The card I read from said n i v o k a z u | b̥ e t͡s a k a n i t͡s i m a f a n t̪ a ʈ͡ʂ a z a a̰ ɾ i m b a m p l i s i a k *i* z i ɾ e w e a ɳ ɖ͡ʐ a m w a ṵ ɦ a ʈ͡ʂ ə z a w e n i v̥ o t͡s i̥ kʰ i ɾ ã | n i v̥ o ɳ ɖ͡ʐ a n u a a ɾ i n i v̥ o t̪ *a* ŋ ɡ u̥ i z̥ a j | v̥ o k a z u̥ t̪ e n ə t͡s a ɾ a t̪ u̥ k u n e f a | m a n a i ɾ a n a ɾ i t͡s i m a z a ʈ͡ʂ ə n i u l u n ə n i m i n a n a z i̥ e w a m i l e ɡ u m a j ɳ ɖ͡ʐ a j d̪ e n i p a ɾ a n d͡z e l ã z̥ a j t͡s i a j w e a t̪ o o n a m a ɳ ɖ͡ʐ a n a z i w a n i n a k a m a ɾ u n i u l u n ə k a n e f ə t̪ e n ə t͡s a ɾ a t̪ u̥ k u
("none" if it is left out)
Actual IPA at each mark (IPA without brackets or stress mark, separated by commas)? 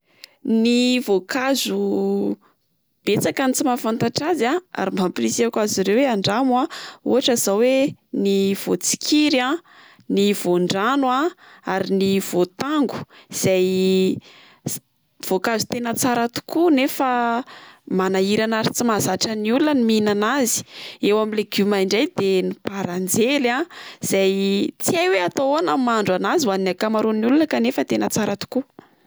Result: a, a